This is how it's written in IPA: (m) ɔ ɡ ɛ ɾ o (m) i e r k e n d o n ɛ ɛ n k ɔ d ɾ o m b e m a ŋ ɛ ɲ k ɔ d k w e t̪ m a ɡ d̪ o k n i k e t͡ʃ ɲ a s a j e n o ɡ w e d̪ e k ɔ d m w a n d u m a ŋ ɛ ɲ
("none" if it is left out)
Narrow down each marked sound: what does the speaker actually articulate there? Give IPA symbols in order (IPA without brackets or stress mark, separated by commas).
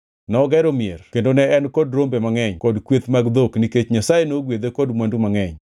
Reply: n, m